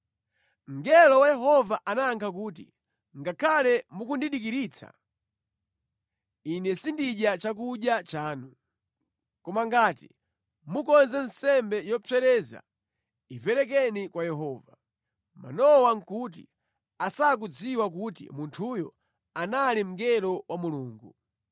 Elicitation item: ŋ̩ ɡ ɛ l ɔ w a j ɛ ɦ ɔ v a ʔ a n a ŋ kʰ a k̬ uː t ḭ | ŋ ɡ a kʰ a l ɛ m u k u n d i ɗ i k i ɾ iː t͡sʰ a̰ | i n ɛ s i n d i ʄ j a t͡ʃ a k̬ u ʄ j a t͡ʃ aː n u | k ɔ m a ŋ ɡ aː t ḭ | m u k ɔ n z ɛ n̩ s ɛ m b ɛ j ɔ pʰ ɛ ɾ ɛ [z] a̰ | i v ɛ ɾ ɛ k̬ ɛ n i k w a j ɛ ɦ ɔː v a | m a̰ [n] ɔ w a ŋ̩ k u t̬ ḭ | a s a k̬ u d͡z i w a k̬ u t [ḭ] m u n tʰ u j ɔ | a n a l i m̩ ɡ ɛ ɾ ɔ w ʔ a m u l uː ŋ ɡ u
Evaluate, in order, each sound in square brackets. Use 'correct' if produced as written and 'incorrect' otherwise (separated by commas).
correct, correct, correct